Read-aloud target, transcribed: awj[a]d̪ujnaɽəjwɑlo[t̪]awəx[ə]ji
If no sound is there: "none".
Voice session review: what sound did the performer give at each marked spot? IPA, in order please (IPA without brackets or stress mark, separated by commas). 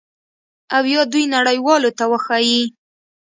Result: ɑ, t̪, ɑ